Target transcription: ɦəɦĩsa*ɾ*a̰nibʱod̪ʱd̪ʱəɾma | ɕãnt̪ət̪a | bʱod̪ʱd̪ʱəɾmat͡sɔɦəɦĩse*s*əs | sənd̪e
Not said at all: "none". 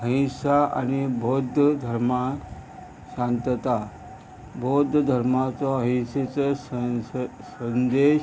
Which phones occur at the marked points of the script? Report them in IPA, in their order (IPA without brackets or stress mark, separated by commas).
none, t͡s